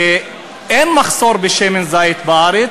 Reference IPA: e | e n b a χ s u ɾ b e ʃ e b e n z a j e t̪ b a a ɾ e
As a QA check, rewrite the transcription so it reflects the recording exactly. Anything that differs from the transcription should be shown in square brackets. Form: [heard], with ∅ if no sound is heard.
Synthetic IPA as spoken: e | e n [m] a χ s [o] ɾ b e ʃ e [m] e n z a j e t̪ b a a ɾ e